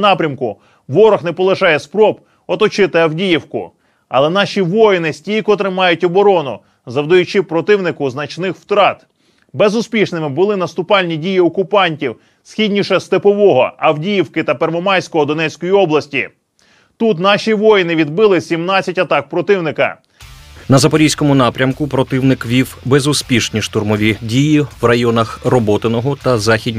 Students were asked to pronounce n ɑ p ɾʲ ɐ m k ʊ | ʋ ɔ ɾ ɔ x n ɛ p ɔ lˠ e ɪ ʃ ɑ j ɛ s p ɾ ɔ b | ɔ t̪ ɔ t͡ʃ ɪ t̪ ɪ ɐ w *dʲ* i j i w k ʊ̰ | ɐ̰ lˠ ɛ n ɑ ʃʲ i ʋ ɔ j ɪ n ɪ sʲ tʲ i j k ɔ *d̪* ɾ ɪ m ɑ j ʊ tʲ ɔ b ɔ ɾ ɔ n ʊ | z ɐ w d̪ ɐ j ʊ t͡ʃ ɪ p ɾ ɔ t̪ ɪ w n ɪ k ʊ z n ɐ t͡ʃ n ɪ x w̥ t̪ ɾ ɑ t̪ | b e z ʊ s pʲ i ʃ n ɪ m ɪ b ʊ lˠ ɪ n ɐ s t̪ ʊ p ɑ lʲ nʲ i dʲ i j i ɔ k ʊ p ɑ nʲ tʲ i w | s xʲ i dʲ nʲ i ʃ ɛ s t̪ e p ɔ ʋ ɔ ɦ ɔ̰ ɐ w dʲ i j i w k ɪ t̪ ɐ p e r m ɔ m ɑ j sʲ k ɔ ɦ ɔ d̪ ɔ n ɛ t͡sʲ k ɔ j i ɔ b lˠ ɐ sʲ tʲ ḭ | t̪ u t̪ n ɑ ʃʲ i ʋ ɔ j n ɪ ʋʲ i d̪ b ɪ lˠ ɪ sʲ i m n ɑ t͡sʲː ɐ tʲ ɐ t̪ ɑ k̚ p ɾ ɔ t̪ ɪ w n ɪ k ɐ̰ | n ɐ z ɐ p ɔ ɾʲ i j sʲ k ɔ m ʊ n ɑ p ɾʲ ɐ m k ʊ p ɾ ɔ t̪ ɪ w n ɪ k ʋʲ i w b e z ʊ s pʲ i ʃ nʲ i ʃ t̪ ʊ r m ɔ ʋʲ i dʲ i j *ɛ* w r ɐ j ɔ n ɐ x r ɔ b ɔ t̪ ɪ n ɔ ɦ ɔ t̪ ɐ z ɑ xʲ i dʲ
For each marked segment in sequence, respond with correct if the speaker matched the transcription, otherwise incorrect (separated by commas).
correct, incorrect, incorrect